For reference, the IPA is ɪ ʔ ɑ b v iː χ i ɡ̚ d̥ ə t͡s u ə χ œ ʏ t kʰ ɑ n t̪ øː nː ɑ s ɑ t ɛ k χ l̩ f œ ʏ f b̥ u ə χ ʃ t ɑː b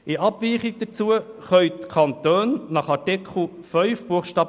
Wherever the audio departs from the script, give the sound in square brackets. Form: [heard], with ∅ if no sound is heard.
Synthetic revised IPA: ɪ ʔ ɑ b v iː χ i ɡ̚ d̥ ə t͡s u ə χ œ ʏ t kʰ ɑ n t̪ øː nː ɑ [χ] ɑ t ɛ k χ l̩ f œ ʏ f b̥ u ə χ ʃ t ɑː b

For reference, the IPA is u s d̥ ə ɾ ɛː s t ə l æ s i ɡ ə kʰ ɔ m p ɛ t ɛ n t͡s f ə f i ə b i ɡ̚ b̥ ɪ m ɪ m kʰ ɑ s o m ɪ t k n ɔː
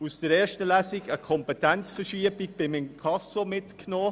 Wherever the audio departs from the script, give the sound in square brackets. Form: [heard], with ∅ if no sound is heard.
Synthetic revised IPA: u s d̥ ə ɾ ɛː [ʃ] t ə l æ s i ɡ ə kʰ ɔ m p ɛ t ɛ n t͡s f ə [ʃ] i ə b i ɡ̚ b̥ ɪ m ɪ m kʰ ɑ s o m ɪ t k n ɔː

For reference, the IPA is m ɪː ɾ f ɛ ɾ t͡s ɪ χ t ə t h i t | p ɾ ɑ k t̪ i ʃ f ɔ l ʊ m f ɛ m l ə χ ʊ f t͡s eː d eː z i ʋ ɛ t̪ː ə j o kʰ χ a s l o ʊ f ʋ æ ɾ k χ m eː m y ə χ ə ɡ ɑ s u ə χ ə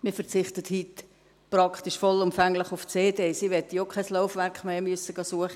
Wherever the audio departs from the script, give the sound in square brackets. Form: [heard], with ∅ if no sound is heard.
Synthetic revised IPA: m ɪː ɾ f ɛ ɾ t͡s ɪ χ t ə t h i t | p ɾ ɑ k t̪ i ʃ f ɔ l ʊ m f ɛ [ŋ] l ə χ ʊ f t͡s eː d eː [s] i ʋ ɛ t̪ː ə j o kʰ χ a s l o ʊ f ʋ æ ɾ k χ m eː m y ə [s] ə ɡ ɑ s u ə χ ə

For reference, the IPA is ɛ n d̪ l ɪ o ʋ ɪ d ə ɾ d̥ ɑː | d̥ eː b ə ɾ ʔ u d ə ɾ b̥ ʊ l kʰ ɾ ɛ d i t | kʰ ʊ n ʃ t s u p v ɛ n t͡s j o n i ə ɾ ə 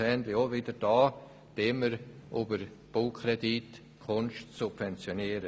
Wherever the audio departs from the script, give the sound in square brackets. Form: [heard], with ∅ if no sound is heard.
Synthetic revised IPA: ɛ n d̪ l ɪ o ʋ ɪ d ə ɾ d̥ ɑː | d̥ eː [m] ə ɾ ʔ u [b] ə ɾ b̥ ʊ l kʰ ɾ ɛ d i t | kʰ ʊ n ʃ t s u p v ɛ n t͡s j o n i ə ɾ ə

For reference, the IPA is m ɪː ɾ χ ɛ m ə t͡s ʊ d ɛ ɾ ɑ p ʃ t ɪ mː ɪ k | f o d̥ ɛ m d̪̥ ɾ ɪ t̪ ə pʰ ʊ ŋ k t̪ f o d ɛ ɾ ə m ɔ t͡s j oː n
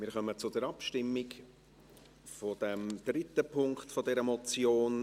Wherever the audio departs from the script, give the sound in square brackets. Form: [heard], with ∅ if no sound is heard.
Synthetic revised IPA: m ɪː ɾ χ [œ] m ə t͡s ʊ d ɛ ɾ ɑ p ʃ t ɪ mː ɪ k | f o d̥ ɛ m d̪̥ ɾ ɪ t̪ ə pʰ ʊ ŋ k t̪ f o d ɛ ɾ ə m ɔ t͡s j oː n

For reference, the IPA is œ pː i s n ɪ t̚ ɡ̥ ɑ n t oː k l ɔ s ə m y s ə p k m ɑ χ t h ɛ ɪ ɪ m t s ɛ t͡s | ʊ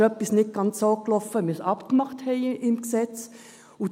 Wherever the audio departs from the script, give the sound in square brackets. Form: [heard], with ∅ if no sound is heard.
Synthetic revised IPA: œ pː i s n ɪ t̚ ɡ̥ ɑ n [t͡s] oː k l ɔ [f] ə m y s [ɑ] p k m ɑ χ t h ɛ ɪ ɪ m [k] s ɛ t͡s | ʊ

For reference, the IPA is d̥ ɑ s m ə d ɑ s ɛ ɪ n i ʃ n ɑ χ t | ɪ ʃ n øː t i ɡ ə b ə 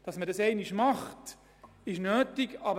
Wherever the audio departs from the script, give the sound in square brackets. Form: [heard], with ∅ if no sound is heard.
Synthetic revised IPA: d̥ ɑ s m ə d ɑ s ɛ ɪ n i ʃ [m] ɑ χ t | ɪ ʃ n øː t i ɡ [ɑ] b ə

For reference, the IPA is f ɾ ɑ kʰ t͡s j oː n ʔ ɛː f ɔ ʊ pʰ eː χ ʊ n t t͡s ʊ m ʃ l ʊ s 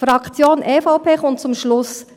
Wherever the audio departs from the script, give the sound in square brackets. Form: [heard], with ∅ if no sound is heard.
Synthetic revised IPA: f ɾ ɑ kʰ t͡s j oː n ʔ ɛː f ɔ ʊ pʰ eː χ ʊ n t t͡s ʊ m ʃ l ʊ s

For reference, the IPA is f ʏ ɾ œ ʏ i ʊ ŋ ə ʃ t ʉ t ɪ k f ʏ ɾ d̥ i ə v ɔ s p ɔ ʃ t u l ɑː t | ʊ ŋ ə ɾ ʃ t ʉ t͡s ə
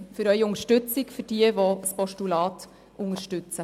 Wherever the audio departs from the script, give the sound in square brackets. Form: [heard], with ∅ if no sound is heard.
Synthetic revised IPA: f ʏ ɾ œ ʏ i ʊ ŋ ə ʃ t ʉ [t͡s] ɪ k f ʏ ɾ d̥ i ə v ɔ s p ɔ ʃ t u l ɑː t | ʊ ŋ ə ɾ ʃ t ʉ t͡s ə

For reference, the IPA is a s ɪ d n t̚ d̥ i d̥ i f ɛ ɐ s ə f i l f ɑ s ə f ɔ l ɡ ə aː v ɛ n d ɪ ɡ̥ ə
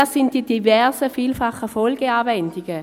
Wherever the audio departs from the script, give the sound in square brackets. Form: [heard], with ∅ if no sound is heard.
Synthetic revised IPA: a s ɪ [∅] n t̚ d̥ i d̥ i [v] ɛ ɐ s ə f [iː] l f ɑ [χ] ə f ɔ l ɡ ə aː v ɛ n d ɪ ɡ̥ ə

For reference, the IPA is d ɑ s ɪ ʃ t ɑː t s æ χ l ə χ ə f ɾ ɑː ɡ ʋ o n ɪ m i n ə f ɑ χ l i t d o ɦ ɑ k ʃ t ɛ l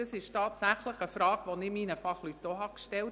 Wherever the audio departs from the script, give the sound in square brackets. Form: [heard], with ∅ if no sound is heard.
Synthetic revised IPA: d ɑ s ɪ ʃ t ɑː t s æ χ l ə χ ə f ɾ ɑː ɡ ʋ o n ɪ m i n ə f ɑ χ l [y] t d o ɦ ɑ k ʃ t ɛ l

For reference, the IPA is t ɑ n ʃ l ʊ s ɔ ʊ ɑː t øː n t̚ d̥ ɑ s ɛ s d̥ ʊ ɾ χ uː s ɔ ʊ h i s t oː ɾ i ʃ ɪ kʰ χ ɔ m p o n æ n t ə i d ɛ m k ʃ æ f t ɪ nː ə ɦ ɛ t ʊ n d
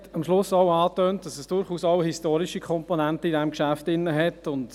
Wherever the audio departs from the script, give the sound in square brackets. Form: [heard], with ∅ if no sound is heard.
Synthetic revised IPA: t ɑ [m] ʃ l ʊ s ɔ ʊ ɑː t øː n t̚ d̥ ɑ s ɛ s d̥ ʊ ɾ χ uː s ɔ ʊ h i s t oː ɾ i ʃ [i] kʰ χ ɔ m p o n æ n t ə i d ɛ m k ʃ æ f t ɪ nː ə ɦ ɛ t ʊ n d

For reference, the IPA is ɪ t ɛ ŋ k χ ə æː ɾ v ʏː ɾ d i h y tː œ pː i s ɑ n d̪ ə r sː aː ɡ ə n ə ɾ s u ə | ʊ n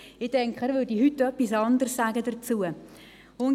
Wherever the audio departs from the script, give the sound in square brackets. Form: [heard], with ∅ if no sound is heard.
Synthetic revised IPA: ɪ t ɛ ŋ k χ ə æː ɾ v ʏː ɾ d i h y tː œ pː i s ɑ n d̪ ə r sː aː ɡ ə [d] ə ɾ [t͡s] u ə | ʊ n

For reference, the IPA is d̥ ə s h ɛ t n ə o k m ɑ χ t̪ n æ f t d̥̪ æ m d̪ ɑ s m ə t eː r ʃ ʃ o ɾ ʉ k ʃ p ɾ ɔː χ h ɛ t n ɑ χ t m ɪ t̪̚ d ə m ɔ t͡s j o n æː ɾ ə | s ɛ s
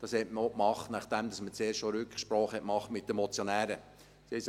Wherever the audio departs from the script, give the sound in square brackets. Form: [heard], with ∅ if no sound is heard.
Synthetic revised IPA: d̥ [ɑ] s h ɛ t [m] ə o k m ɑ χ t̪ n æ [χ] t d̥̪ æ m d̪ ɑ s m ə [t͡s] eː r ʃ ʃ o ɾ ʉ k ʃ p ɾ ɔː χ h ɛ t [m] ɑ χ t m ɪ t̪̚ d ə m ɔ t͡s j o n æː ɾ ə | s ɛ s

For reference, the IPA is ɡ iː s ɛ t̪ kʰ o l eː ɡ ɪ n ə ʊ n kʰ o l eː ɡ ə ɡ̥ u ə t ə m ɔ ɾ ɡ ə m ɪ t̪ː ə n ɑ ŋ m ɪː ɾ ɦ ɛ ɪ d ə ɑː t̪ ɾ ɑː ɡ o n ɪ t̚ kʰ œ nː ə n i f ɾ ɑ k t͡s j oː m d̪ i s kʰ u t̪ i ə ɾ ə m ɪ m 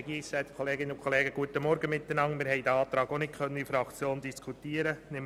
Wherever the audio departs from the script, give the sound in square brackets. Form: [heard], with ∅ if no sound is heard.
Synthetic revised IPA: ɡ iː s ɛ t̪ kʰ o l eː ɡ ɪ n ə ʊ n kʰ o l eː ɡ ə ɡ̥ u ə t ə m ɔ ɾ ɡ ə m ɪ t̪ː ə n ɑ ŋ m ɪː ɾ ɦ ɛ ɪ d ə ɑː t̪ ɾ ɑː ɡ o n ɪ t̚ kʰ œ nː ə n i f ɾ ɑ k t͡s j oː [n] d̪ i s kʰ u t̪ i ə ɾ ə [n] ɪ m

